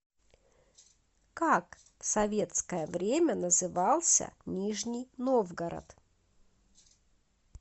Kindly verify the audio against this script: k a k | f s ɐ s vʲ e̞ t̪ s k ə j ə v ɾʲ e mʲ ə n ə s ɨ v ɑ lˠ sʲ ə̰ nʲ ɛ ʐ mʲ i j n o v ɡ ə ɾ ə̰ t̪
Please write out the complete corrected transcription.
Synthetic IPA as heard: k a k | f s ɐ vʲ e̞ t̪ s k ə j ə v ɾʲ e mʲ ə n ə z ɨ v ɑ lˠ sʲ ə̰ nʲ i ʐ nʲ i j n o v ɡ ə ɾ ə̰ t̪